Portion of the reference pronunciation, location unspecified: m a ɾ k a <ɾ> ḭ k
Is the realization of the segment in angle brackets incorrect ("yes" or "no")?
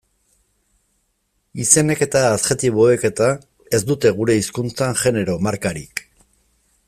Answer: no